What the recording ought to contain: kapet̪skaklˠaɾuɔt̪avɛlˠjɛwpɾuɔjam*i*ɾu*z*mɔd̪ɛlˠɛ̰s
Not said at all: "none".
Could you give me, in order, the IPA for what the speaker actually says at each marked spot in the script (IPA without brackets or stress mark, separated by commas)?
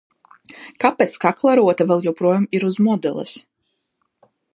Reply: i, z